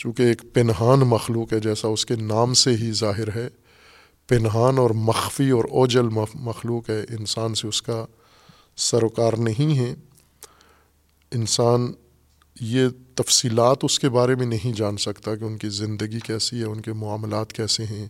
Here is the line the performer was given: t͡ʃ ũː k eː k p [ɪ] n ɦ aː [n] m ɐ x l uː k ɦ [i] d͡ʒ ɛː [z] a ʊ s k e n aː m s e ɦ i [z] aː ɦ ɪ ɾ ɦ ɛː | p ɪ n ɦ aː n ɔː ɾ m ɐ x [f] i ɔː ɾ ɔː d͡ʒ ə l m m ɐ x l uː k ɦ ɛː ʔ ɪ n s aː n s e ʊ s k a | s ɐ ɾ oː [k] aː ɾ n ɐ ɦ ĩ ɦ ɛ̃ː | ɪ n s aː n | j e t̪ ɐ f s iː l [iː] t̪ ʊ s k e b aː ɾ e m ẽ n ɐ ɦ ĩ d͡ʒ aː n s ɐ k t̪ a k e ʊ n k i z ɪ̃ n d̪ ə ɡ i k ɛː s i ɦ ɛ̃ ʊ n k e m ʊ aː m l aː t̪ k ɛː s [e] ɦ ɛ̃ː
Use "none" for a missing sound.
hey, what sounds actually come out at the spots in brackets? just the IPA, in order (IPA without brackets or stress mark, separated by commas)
ɪ, n, ɛ, s, z, f, k, aː, e